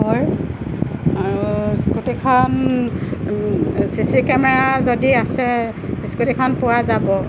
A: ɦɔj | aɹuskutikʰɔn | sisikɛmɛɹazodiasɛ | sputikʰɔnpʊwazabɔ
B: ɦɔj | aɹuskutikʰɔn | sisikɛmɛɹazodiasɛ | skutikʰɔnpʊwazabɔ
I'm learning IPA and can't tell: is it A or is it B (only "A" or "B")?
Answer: B